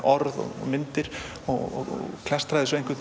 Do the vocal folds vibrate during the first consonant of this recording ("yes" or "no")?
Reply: yes